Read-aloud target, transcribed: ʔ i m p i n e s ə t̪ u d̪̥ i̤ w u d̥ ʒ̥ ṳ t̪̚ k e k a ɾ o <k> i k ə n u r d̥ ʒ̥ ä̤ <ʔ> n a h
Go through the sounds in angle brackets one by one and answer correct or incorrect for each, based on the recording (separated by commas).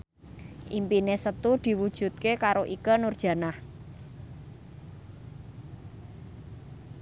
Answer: incorrect, incorrect